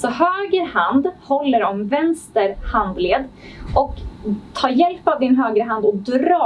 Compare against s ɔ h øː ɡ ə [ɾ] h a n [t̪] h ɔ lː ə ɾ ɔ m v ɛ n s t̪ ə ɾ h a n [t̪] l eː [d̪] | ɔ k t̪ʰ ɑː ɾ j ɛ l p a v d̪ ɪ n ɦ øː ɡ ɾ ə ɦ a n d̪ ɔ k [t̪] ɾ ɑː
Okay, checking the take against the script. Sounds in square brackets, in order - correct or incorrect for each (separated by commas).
correct, incorrect, incorrect, correct, incorrect